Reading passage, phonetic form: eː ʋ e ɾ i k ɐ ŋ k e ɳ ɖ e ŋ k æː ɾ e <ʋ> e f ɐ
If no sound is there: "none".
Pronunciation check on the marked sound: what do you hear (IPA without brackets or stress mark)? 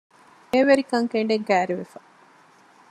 ʋ